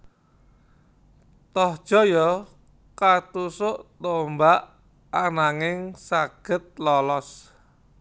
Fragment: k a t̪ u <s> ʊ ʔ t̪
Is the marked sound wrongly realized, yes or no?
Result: no